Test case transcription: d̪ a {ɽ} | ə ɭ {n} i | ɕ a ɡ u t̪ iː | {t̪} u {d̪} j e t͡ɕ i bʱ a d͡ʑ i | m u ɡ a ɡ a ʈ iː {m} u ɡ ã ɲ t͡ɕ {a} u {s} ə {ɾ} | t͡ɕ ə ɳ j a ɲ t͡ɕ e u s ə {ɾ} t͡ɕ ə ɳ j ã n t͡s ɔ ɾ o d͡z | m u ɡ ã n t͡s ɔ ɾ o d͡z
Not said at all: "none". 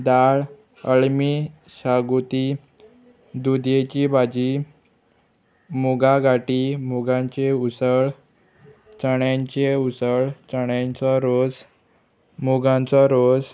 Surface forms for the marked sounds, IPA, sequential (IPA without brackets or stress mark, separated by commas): ɭ, m, d̪, d̪, m, e, s, ɭ, ɭ